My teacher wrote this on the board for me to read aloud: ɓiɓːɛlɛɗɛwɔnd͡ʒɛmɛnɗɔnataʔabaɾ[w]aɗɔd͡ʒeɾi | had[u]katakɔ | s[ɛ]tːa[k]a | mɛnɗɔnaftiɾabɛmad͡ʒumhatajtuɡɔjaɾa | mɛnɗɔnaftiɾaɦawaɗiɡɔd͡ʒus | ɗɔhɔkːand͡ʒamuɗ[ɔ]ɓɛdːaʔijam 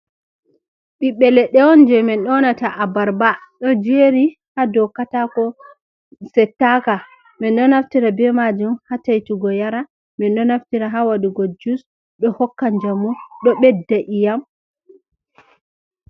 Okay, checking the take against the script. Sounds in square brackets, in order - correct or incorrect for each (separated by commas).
incorrect, incorrect, correct, correct, correct